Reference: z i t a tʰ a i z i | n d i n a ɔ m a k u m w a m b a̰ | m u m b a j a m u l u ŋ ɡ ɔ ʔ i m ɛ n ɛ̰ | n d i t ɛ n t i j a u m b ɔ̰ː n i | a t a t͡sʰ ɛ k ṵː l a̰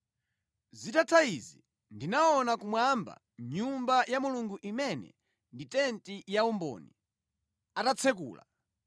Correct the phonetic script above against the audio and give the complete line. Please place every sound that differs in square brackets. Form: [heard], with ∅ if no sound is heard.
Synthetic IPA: z i t a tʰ a i z i | n d i n a ɔ [n] a k u m w a m b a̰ | [ɲ] u m b a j a m u l u ŋ ɡ [u] ʔ i m ɛ n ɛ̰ | n d i t ɛ n t i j a u m b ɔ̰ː n i | a t a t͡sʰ ɛ k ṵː l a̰